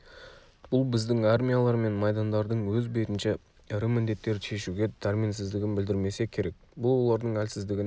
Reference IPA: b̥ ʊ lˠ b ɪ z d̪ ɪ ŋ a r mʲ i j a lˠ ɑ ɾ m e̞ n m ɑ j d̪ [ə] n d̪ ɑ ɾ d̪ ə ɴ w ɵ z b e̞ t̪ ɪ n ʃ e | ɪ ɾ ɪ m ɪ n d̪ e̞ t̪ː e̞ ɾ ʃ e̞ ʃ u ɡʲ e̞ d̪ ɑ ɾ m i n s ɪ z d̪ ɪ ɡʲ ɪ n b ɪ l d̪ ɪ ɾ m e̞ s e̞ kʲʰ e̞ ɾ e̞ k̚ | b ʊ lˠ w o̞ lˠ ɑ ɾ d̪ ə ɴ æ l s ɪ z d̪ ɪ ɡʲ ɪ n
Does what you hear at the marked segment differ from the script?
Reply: yes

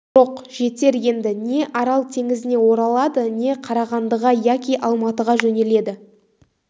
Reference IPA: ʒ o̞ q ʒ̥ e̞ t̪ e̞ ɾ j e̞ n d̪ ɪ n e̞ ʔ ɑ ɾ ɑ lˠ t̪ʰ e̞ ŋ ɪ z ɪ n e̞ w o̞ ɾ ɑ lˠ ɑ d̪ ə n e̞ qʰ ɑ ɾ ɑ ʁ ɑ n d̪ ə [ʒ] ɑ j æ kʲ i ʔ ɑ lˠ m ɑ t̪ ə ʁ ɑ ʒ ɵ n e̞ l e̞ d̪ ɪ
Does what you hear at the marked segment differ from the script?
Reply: yes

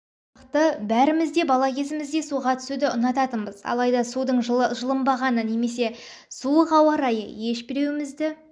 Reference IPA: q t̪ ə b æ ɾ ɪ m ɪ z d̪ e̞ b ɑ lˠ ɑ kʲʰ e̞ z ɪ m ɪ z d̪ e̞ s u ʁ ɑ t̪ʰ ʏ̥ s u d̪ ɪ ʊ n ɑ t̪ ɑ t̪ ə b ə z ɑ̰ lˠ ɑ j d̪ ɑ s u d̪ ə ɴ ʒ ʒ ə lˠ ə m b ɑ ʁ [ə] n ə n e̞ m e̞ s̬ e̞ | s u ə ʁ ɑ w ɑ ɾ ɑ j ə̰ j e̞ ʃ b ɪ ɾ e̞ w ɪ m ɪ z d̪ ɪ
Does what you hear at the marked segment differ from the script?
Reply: yes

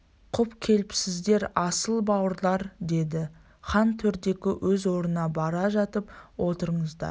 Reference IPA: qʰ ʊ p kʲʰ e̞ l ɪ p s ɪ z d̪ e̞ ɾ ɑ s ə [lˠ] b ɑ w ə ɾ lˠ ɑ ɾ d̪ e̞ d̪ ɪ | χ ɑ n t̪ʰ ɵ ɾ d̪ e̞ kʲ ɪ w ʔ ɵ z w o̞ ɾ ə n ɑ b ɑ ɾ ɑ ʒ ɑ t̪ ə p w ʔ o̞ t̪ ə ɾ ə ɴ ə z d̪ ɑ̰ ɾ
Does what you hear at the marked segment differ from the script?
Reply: no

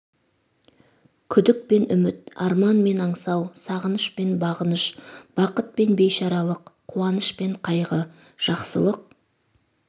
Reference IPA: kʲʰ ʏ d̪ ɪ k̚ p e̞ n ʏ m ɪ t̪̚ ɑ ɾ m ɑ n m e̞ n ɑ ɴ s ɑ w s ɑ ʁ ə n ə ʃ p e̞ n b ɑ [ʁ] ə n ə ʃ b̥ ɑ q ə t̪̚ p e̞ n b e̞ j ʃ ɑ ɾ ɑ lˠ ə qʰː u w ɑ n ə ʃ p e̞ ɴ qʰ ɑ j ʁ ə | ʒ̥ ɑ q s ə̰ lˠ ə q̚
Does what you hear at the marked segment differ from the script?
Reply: no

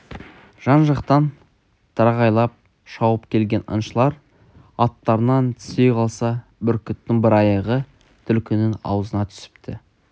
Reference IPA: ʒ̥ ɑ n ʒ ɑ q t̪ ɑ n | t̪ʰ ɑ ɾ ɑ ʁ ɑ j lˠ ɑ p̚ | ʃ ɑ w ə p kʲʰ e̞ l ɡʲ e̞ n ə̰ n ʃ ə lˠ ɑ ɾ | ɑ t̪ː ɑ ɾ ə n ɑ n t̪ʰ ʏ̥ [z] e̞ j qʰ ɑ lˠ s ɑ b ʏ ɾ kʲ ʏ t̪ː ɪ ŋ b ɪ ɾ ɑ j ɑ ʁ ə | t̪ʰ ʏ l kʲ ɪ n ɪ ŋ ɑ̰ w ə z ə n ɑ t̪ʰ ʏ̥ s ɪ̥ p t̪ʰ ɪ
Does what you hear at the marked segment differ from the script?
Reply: yes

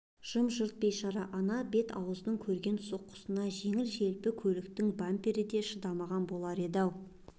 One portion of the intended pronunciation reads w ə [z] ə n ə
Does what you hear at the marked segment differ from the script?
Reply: no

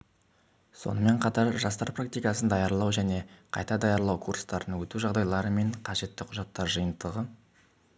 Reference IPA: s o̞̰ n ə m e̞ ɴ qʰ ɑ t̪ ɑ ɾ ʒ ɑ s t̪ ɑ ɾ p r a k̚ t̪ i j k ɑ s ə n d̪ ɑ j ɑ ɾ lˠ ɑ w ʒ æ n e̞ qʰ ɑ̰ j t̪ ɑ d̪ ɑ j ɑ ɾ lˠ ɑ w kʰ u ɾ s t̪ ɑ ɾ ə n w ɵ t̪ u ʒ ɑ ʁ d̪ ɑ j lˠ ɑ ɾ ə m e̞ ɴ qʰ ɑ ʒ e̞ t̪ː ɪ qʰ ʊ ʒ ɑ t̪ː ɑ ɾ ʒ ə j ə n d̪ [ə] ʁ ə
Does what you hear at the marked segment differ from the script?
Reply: no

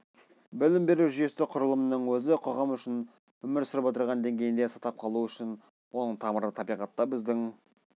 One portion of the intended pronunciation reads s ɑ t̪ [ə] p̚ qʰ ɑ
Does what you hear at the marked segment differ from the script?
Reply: yes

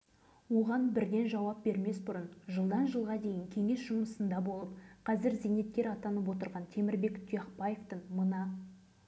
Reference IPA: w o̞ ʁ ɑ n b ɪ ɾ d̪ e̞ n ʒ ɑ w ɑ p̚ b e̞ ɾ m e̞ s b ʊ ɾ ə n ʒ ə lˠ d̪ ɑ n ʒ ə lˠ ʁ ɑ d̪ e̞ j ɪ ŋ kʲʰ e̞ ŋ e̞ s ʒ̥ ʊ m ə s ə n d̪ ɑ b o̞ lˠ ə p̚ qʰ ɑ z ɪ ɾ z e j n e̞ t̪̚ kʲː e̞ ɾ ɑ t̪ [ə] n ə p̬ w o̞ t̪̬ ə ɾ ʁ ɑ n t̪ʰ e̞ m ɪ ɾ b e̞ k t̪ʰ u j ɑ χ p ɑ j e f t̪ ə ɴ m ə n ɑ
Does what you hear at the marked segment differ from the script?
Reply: yes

